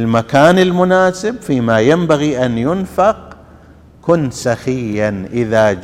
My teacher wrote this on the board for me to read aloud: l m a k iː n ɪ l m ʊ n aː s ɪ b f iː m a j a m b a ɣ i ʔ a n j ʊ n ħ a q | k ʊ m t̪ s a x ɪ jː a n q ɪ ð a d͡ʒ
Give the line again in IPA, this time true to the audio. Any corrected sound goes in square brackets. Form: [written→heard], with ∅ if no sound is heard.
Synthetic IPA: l m a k [iː→aː] n ɪ l m ʊ n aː s ɪ b f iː m a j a m b a ɣ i ʔ a n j ʊ n [ħ→f] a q | k ʊ [m→n] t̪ s a x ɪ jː a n [q→ʔ] ɪ ð a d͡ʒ